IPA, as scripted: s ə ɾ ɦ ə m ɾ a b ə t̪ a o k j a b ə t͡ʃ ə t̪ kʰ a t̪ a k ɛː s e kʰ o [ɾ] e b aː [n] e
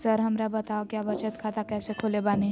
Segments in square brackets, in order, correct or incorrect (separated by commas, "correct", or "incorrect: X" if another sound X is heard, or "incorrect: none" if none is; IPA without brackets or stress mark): incorrect: l, correct